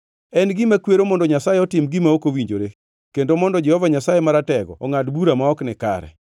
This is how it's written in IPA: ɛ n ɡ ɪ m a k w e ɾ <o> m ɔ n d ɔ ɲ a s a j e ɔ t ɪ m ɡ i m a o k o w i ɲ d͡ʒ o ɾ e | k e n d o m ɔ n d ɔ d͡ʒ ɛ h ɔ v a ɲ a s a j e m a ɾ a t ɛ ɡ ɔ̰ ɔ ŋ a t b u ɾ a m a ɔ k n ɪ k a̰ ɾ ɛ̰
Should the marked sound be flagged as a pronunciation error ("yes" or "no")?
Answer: no